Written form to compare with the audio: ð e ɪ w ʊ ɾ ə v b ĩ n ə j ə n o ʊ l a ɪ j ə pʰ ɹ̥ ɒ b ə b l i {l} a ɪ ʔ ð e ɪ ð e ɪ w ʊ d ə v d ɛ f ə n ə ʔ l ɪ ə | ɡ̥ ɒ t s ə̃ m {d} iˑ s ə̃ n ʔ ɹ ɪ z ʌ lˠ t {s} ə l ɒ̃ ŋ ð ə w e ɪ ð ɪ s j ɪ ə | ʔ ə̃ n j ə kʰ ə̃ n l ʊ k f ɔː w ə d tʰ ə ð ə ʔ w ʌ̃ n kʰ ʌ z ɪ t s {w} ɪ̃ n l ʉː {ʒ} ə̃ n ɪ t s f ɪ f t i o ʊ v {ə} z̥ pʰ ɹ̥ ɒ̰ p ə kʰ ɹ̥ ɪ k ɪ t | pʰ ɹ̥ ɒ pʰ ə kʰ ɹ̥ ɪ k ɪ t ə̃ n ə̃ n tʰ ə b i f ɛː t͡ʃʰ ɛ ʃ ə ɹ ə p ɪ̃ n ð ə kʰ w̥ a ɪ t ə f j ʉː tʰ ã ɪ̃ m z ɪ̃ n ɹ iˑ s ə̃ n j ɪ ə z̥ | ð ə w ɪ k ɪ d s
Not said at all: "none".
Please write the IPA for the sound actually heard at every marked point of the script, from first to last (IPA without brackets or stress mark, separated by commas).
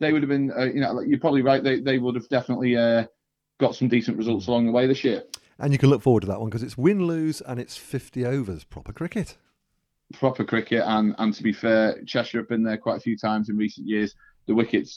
ɹ, d, s, w, z, ə